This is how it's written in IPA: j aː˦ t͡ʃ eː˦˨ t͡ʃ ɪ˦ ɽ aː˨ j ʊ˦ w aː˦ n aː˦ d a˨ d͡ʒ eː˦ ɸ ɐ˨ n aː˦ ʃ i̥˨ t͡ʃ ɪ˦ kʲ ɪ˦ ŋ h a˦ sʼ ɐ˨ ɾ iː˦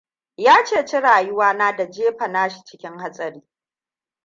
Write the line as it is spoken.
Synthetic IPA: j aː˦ t͡ʃ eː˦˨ t͡ʃ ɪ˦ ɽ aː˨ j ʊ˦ w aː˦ n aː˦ d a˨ d͡ʒ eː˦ ɸ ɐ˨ n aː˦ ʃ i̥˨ t͡ʃ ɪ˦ kʲ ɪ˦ ŋ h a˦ sʼ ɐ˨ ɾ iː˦